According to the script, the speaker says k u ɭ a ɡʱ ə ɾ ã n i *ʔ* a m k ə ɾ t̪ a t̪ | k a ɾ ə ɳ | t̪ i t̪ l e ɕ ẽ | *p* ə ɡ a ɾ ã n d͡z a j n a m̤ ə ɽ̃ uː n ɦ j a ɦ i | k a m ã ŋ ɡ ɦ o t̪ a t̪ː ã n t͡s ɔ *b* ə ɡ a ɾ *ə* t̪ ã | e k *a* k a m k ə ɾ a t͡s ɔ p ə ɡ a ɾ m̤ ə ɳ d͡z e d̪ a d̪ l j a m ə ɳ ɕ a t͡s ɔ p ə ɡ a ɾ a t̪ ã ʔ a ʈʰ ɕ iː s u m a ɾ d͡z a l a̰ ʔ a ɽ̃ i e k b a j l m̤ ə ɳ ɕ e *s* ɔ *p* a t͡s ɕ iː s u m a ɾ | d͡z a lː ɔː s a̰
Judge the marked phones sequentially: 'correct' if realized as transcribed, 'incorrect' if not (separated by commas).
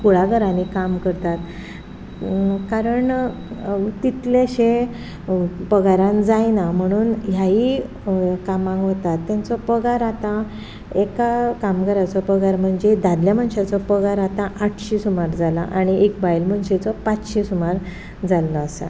incorrect, correct, incorrect, incorrect, correct, incorrect, correct